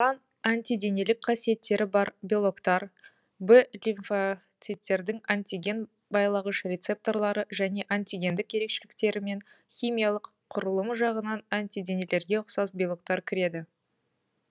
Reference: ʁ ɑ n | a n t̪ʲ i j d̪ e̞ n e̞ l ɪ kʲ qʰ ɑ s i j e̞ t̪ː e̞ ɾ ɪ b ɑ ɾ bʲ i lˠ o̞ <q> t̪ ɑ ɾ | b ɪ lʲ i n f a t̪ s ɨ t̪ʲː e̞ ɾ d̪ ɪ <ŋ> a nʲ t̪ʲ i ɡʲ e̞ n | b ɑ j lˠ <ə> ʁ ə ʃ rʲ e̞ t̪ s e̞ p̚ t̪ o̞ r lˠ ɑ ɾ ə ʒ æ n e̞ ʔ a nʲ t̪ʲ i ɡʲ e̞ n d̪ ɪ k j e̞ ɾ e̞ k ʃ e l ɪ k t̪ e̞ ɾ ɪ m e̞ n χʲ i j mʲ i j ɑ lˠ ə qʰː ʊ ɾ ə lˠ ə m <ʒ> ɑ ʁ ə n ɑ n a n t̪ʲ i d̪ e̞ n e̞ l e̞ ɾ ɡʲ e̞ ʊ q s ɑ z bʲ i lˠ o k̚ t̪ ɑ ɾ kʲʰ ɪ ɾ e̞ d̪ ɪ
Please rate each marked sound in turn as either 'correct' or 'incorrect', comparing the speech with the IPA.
incorrect: k, correct, incorrect: ɑ, correct

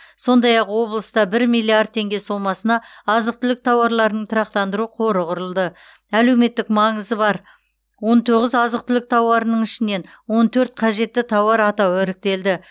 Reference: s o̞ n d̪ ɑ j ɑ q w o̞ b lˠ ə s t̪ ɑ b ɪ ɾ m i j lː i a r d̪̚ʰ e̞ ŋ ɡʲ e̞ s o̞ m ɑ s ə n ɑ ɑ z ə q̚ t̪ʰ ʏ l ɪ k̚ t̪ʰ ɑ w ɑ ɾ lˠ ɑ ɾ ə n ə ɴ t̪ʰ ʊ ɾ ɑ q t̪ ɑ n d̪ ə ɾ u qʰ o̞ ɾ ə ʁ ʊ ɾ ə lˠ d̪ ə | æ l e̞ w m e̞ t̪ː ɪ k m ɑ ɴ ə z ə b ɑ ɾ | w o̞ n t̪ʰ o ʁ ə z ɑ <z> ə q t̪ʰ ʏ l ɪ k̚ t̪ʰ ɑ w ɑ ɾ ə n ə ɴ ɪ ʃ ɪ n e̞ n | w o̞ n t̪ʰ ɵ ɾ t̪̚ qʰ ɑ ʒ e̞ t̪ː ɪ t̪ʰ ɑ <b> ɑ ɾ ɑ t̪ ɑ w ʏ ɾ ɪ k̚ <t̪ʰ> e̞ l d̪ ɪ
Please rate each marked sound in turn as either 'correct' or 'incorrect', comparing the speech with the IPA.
correct, incorrect: w, incorrect: t̪

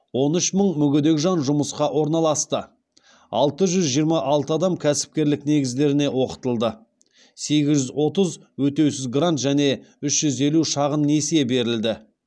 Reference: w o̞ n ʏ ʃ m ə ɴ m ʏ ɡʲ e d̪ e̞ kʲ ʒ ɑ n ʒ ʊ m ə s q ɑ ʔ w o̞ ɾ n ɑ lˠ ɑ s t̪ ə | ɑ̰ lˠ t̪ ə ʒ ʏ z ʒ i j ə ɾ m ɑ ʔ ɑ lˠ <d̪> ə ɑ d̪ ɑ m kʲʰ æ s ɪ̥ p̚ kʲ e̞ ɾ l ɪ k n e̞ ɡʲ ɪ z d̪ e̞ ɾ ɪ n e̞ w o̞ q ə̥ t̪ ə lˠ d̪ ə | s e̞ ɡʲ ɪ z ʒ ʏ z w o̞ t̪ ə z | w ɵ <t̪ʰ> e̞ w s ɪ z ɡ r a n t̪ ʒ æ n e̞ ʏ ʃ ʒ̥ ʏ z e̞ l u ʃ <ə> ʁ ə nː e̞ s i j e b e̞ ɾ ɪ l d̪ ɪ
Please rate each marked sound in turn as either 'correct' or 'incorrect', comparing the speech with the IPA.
incorrect: t̪, incorrect: t̪, incorrect: ɑ

